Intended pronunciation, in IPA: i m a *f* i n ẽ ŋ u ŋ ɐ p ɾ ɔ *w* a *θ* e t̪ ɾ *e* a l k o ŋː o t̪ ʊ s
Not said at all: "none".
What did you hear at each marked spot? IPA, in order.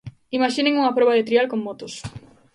ʃ, β, ð, i

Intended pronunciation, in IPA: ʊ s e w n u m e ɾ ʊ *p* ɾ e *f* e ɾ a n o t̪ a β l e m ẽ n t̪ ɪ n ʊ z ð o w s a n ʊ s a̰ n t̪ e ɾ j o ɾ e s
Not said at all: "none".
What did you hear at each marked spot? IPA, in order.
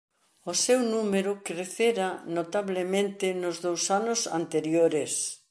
k, θ

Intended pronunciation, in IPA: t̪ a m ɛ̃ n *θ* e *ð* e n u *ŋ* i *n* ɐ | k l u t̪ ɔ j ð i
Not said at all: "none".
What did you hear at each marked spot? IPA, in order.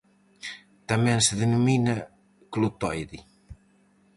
s, ð, m, n

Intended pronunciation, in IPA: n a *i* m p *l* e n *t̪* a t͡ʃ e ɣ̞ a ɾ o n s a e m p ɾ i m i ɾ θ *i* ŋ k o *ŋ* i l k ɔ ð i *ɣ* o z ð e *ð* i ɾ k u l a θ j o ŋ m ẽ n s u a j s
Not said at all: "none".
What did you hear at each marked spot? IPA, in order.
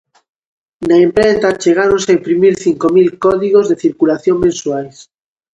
e, ɾ, t̪, i, m, ɣ, θ

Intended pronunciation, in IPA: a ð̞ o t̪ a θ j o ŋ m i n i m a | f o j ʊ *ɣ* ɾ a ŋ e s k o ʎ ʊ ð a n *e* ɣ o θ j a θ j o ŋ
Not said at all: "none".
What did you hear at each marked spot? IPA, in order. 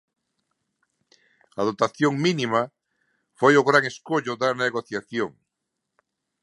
ɣ, e

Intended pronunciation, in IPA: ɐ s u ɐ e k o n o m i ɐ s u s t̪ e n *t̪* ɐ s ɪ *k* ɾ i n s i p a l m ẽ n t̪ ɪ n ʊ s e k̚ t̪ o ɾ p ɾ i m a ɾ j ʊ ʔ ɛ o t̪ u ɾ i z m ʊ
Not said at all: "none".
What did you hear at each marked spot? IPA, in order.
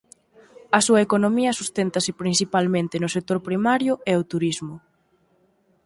t̪, p

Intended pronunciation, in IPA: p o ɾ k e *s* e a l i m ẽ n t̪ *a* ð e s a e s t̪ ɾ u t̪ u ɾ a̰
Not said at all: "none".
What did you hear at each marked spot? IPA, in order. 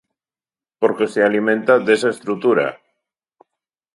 s, a

